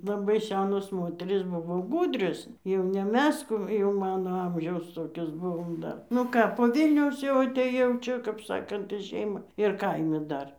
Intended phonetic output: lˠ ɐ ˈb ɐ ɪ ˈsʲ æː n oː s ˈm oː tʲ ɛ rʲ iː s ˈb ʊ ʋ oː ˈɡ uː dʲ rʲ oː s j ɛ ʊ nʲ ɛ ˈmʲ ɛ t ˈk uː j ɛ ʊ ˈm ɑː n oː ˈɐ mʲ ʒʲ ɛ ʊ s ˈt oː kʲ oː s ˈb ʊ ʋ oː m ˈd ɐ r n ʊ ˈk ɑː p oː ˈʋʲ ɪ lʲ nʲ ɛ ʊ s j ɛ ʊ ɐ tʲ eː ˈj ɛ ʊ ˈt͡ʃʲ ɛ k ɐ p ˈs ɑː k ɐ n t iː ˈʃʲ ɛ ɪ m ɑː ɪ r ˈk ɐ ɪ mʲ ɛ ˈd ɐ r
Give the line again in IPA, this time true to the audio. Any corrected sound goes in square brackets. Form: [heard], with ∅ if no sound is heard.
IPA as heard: lˠ ɐ ˈb ɐ ɪ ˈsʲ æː n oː s ˈm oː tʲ ɛ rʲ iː s ˈb ʊ ʋ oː ˈɡ uː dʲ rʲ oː s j ɛ ʊ nʲ ɛ ˈmʲ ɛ [s] ˈk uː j ɛ ʊ ˈm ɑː n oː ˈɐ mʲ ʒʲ ɛ ʊ s ˈt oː kʲ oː s ˈb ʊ ʋ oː m ˈd ɐ r n ʊ ˈk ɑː p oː ˈʋʲ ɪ lʲ nʲ ɛ ʊ s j ɛ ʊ ɐ tʲ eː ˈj ɛ ʊ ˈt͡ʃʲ ɛ k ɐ p ˈs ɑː k ɐ n t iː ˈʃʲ ɛ ɪ m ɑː ɪ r ˈk ɐ ɪ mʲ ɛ ˈd ɐ r